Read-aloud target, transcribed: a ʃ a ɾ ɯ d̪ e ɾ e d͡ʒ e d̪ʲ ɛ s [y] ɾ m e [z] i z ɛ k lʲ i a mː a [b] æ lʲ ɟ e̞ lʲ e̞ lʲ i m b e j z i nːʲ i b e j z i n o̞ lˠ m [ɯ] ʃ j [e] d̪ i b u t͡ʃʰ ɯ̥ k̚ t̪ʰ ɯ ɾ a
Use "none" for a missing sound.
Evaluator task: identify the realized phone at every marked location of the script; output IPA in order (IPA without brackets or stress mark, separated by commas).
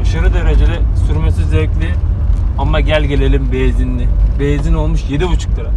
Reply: y, s, ɟ, u, e